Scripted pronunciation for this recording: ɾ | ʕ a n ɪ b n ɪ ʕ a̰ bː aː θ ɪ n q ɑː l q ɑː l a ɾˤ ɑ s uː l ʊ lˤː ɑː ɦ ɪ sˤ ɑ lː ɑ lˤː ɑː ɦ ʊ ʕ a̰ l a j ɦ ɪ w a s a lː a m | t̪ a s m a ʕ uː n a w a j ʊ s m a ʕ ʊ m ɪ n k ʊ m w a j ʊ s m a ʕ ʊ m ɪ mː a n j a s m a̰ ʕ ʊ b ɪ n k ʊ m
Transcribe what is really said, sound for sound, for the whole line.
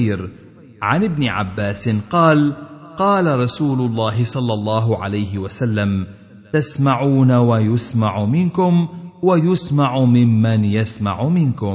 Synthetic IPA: ɾ | ʕ a n ɪ b n ɪ ʕ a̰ bː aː s ɪ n q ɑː l q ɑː l a ɾˤ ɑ s uː l ʊ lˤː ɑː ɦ ɪ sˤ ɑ lː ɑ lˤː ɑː ɦ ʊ ʕ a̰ l a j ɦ ɪ w a s a lː a m | t̪ a s m a ʕ uː n a w a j ʊ s m a ʕ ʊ m ɪ n k ʊ m w a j ʊ s m a ʕ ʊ m ɪ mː a n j a s m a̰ ʕ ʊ m ɪ n k ʊ m